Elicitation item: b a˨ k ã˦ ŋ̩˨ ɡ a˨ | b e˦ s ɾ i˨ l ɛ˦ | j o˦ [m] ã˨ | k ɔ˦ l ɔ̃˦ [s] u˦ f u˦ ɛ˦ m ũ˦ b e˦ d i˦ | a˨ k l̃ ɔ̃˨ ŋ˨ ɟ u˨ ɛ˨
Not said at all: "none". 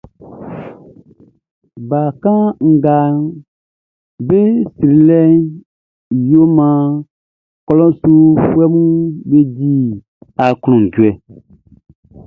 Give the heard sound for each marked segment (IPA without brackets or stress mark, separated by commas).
m, s